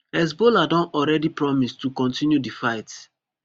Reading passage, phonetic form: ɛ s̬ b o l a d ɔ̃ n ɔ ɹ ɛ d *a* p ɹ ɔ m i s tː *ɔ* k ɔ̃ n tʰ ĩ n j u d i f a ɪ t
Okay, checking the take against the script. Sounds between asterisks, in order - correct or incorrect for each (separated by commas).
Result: incorrect, incorrect